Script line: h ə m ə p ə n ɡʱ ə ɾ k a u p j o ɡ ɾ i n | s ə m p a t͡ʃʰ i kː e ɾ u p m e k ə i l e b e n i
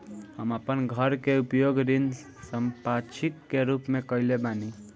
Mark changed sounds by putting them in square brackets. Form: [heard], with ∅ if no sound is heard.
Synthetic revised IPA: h ə m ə p ə n ɡʱ ə ɾ k [e] u p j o ɡ ɾ i n | s ə m p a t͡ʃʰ i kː e ɾ u p m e k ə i l e b [a] n i